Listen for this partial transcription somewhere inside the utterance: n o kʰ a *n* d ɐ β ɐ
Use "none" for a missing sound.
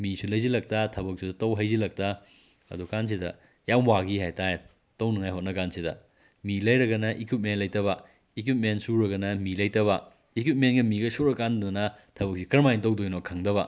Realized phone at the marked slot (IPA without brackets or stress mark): ŋ